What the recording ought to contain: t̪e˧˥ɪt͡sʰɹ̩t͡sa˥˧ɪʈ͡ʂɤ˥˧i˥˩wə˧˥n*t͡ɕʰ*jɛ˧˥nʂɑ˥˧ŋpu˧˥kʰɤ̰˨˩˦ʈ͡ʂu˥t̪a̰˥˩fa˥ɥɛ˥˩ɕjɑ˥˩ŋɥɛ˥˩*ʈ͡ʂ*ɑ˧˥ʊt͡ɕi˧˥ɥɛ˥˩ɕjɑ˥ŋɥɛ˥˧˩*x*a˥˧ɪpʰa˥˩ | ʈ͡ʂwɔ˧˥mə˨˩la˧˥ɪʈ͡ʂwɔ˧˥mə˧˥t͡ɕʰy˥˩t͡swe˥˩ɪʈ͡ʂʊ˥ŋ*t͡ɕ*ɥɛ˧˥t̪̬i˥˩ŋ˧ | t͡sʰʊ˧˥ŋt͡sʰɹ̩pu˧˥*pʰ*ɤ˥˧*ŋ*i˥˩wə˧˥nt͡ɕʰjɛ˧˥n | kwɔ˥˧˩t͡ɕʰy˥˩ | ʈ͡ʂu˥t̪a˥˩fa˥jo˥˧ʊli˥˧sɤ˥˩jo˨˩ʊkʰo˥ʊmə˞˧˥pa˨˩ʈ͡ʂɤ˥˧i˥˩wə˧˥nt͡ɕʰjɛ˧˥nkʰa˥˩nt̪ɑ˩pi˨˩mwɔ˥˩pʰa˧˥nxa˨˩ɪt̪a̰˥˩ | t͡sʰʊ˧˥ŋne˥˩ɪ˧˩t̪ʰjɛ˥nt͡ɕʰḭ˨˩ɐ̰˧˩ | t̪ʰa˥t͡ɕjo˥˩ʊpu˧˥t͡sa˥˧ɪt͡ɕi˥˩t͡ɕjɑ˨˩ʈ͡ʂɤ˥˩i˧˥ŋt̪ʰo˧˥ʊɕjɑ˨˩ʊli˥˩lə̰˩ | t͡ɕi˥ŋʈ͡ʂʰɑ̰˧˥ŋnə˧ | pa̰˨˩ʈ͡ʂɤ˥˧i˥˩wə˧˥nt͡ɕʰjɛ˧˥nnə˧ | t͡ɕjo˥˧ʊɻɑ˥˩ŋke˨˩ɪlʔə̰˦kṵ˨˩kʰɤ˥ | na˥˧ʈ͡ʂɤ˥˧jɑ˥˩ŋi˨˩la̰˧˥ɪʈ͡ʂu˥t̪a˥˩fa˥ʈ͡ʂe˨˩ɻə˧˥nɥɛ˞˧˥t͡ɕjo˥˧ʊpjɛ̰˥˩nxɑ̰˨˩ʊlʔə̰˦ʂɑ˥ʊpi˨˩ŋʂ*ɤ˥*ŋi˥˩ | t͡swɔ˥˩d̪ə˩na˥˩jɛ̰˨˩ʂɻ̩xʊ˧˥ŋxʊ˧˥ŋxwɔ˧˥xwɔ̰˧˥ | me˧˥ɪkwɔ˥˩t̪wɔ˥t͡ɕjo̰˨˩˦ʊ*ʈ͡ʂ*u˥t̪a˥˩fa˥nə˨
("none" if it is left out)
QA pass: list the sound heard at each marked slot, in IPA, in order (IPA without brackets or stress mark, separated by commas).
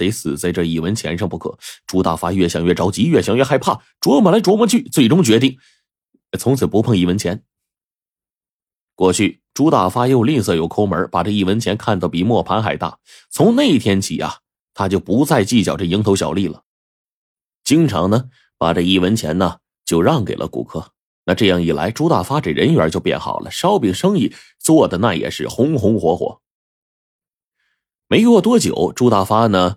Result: t͡ɕʰ, ʈ͡ʂ, x, t͡ɕ, pʰ, ŋ, ɤ˥, ʈ͡ʂ